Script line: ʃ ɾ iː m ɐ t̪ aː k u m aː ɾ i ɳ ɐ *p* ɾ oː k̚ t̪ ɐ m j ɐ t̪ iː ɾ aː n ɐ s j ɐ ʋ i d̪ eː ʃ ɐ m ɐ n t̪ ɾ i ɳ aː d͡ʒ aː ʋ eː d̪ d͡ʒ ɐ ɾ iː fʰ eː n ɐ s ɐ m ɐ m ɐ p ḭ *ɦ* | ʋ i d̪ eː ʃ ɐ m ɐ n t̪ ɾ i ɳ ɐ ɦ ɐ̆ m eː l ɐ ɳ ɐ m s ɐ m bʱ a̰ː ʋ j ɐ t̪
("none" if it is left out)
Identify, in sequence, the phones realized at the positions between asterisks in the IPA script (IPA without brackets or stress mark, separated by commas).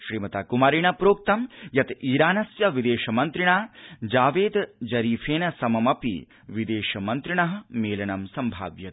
p, none